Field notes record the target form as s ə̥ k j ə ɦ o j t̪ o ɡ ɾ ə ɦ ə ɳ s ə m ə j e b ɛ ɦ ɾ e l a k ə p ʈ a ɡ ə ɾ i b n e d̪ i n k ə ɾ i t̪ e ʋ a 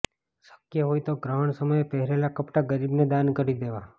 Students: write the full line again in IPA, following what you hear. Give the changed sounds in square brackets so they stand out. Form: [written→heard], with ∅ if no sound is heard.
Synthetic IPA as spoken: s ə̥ k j ə ɦ o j t̪ o ɡ ɾ ə ɦ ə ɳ s ə m ə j e [b→p] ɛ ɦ ɾ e l a k ə p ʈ a ɡ ə ɾ i b n e d̪ [i→a] n k ə ɾ i [t̪→d̪] e ʋ a